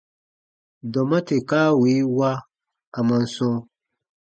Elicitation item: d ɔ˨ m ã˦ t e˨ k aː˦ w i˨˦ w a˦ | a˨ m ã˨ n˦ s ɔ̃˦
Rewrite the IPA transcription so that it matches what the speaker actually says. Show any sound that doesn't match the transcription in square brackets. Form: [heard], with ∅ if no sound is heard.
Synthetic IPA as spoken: d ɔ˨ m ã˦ t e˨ k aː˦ w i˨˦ w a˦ | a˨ m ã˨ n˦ s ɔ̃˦